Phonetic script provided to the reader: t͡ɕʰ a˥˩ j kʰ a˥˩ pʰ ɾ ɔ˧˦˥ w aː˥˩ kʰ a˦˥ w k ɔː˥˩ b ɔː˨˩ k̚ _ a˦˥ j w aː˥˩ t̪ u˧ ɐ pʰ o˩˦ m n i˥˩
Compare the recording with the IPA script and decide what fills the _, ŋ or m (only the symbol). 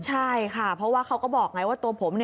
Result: ŋ